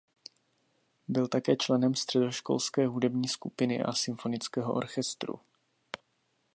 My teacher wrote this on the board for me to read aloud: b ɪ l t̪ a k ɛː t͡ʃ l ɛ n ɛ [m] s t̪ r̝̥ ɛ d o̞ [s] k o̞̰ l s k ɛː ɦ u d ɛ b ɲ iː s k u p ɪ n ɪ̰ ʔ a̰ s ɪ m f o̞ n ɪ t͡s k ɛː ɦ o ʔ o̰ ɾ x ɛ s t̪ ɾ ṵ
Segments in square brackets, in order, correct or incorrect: correct, incorrect: ʃ

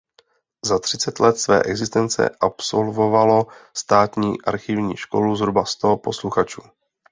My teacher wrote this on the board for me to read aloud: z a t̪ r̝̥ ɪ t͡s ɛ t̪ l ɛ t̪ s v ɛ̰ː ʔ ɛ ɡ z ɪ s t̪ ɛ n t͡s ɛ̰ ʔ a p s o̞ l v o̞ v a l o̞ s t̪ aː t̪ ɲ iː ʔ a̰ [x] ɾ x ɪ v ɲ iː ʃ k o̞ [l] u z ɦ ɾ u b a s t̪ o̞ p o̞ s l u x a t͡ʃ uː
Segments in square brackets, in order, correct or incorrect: incorrect: none, correct

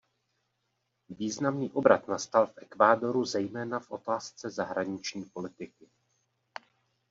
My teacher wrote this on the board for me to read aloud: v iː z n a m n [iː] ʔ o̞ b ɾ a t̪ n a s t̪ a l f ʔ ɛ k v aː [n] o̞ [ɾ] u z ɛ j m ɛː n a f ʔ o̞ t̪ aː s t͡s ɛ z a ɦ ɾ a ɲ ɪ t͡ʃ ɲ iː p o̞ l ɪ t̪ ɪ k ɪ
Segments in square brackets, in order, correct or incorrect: correct, incorrect: d, correct

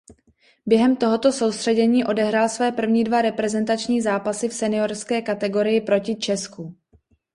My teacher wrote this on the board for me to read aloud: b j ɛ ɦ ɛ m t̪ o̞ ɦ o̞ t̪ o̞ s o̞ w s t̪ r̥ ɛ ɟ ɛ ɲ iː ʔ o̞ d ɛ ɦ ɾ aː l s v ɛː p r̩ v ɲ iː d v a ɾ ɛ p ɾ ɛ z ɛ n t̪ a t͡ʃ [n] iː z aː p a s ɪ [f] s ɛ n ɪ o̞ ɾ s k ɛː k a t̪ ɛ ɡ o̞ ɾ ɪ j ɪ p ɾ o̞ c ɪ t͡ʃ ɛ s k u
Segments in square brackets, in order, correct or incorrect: incorrect: ɲ, correct

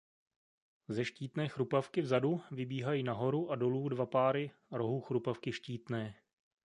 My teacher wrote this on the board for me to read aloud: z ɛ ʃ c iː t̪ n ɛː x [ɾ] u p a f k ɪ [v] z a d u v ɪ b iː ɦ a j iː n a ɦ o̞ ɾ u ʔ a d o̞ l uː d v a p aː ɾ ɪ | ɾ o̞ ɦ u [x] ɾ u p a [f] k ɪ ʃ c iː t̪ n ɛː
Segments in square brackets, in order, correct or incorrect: correct, correct, correct, correct

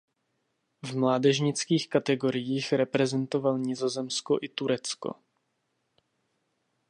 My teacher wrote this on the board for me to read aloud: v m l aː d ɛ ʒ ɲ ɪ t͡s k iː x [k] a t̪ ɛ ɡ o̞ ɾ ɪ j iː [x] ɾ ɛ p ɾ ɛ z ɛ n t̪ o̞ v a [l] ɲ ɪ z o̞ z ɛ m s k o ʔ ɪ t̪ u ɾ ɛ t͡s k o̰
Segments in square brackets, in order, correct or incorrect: correct, correct, correct

